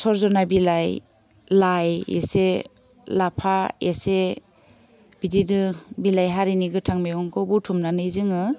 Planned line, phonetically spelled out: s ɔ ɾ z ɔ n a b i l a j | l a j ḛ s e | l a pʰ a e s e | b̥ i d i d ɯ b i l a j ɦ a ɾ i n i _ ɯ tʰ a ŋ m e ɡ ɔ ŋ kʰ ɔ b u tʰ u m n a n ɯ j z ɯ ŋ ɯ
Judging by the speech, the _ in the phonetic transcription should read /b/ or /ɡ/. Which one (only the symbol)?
ɡ